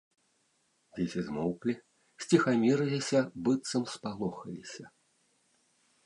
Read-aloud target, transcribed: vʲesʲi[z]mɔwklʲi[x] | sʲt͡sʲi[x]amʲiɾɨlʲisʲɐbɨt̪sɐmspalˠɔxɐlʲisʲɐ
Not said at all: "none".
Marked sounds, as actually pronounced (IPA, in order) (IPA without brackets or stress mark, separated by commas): z, none, x